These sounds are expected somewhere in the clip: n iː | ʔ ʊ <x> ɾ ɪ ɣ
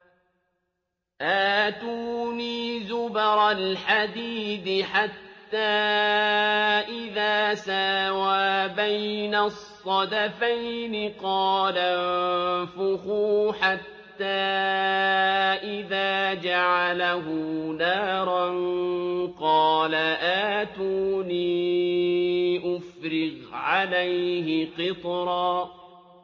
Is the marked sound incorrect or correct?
incorrect